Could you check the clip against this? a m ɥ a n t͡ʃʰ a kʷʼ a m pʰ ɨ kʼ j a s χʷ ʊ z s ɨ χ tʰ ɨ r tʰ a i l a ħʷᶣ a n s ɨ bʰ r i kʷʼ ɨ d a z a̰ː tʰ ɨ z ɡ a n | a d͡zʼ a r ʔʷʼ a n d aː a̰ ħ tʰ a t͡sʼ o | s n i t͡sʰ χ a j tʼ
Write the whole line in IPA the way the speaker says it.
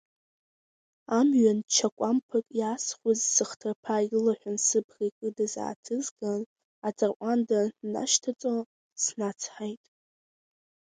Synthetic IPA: a m ɥ a n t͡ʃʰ a kʷʼ a m pʰ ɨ kʼ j a s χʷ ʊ z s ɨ χ tʰ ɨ r pʰ a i l a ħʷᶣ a n s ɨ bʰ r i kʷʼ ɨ d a z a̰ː tʰ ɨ z ɡ a n | a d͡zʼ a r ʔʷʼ a n d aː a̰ ʃ tʰ a t͡sʼ o | s n a t͡sʰ ħ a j tʼ